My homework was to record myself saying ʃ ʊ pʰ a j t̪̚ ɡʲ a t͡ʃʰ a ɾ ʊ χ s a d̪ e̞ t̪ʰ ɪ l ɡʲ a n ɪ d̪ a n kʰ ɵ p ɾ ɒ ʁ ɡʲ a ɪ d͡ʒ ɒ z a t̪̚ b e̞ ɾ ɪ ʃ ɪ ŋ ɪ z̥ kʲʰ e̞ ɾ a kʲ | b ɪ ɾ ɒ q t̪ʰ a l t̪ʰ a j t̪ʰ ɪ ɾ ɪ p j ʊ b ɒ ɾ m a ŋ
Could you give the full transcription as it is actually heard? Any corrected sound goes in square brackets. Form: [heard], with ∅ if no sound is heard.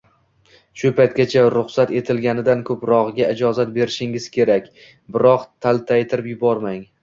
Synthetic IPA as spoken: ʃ ʊ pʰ a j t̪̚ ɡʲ a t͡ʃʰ a ɾ ʊ χ s a [t̪] e̞ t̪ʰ ɪ l ɡʲ a n ɪ d̪ a n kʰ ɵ p ɾ ɒ ʁ ɡʲ a ɪ d͡ʒ ɒ z a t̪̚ b e̞ ɾ ɪ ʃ ɪ ŋ ɪ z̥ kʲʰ e̞ ɾ a kʲ | b ɪ ɾ ɒ q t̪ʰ a l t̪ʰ a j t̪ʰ ɪ ɾ ɪ p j ʊ b ɒ ɾ m a ŋ

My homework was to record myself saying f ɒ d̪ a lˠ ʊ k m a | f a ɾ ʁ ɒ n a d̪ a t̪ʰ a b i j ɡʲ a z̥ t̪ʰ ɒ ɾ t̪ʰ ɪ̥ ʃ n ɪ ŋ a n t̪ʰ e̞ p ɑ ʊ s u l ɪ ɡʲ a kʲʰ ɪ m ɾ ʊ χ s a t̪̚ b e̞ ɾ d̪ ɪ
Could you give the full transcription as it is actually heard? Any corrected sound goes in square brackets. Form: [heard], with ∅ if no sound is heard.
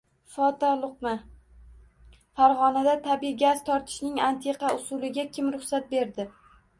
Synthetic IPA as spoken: f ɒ [t̪] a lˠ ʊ [q] m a | f a ɾ ʁ ɒ n a d̪ a t̪ʰ a b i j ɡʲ a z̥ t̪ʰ ɒ ɾ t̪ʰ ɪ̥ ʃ n ɪ ŋ a n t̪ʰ e̞ [q] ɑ ʊ s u l ɪ ɡʲ a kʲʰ ɪ m ɾ ʊ χ s a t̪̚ b e̞ ɾ d̪ ɪ

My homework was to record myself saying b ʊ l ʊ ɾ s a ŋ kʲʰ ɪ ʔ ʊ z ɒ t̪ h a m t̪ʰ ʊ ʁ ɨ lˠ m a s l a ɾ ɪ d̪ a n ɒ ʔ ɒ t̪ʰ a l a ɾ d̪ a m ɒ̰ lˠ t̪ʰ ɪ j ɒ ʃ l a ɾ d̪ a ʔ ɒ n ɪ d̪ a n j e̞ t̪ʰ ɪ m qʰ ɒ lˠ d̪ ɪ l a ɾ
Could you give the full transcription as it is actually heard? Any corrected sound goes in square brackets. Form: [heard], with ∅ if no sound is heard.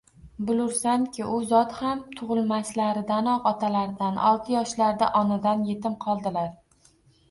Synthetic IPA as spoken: b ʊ l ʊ ɾ s a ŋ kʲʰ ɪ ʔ ʊ z ɒ t̪ h a m t̪ʰ ʊ ʁ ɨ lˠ m a s l a ɾ ɪ d̪ a n ɒ [q] ɒ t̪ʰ a l a ɾ d̪ a [n] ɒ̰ lˠ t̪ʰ ɪ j ɒ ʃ l a ɾ d̪ a ʔ ɒ n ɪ d̪ a n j e̞ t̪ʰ ɪ m qʰ ɒ lˠ d̪ ɪ l a ɾ

